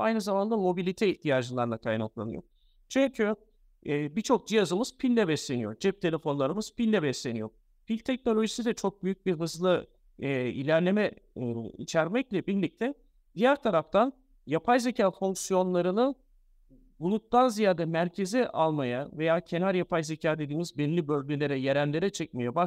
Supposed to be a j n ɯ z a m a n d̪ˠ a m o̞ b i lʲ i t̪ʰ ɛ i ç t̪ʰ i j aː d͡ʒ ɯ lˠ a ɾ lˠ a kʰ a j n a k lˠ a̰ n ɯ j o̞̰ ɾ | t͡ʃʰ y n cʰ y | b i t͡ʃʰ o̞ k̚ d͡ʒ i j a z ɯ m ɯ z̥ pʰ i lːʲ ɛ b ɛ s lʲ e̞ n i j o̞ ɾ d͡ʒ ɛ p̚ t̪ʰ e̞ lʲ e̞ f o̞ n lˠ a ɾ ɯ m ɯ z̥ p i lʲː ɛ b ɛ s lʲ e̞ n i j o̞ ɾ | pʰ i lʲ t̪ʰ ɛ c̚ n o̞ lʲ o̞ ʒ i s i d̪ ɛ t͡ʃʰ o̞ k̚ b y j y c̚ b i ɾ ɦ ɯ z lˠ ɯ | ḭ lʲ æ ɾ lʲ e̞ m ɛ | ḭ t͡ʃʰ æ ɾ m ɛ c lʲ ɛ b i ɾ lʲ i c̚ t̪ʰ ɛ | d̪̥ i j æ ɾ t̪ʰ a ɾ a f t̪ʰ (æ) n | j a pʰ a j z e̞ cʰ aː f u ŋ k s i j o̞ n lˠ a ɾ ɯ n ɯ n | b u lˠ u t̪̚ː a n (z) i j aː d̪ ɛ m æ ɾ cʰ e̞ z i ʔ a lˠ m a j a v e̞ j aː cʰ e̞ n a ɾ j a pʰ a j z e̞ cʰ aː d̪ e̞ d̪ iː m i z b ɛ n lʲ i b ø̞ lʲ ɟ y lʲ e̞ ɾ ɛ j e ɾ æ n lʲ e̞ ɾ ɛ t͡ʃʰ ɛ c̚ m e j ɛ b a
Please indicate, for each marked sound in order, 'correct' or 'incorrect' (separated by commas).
incorrect, correct